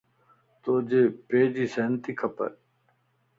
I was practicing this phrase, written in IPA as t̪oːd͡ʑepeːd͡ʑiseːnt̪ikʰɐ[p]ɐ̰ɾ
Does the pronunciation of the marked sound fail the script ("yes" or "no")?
no